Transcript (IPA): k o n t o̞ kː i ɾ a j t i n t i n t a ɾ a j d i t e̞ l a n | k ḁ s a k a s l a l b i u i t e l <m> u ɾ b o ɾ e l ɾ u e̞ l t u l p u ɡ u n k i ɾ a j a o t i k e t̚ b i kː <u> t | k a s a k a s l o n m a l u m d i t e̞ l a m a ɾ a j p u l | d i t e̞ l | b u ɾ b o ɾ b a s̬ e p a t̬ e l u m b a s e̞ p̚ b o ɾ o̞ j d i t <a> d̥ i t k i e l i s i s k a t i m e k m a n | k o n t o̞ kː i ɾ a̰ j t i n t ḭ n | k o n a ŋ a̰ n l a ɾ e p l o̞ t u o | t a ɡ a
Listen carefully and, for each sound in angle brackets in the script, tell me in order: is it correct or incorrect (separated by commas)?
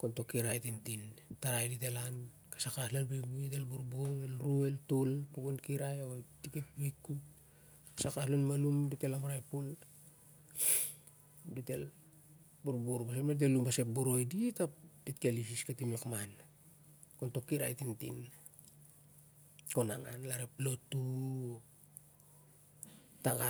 incorrect, correct, correct